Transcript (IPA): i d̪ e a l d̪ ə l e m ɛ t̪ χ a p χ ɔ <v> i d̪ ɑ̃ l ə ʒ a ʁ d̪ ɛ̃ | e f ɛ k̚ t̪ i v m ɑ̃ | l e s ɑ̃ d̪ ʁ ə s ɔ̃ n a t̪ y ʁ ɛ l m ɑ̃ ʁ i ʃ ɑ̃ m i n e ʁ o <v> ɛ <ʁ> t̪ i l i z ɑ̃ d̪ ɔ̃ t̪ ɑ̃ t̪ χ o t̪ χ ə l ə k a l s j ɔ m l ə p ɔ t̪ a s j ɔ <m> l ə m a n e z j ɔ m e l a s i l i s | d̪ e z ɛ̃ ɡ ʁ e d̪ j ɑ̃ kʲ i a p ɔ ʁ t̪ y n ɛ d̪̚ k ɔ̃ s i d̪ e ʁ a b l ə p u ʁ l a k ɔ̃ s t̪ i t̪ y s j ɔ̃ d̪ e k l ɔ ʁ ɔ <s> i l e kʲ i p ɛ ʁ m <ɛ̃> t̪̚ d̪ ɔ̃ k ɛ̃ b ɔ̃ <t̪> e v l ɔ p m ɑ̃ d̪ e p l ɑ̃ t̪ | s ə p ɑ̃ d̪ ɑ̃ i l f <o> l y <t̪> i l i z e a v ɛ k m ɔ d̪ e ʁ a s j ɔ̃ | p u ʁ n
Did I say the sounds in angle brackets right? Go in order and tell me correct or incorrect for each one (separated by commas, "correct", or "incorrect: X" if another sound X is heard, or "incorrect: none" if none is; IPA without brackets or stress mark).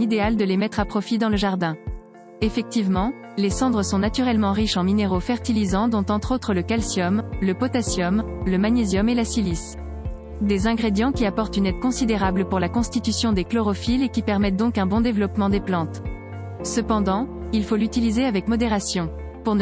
incorrect: f, incorrect: f, correct, correct, incorrect: f, incorrect: ɛ, incorrect: d̪, correct, correct